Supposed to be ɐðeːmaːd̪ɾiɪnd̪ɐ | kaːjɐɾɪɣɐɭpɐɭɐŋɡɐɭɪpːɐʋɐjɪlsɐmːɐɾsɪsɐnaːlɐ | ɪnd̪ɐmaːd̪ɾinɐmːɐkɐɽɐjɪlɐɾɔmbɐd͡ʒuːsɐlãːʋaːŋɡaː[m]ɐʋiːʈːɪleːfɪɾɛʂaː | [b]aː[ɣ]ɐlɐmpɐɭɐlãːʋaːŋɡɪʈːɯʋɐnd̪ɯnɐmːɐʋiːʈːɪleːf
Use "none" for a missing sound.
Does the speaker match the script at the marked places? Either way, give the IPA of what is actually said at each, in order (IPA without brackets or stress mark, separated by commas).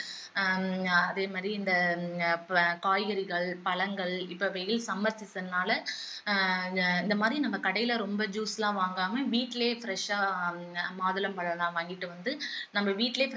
m, m, ð